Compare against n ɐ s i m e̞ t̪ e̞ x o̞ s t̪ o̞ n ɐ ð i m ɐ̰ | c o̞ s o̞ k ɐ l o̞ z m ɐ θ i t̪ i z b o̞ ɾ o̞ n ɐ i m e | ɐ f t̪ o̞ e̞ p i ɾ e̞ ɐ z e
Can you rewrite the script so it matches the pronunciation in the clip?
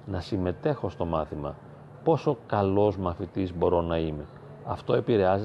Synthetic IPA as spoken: n ɐ s i m e̞ t̪ e̞ x o̞ s t̪ o̞ m ɐ θ i m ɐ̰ | p o̞ s o̞ k ɐ l o̞ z m ɐ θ i t̪ i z b o̞ ɾ o̞ n ɐ i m e | ɐ f t̪ o̞ e̞ p i ɾ e̞ ɐ z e